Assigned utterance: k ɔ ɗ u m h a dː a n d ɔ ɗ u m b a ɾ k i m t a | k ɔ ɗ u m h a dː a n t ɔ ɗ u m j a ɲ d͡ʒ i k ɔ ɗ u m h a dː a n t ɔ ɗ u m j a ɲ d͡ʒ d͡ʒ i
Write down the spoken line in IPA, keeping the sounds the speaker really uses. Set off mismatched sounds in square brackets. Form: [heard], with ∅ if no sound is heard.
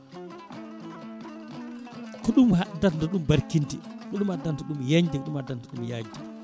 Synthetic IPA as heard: k ɔ ɗ u m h a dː a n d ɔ ɗ u m b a ɾ k i [n] t [i] | k ɔ ɗ u m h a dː a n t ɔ ɗ u m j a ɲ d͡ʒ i k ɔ ɗ u m h a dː a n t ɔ ɗ u m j a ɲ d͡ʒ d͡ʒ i